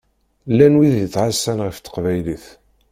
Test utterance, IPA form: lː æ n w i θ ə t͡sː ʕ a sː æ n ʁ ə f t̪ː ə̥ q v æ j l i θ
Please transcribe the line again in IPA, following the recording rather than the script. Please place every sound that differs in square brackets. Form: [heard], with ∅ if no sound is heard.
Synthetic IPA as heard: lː æ n w i [ð] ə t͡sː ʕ a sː æ n ʁ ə f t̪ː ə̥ q v æ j l i θ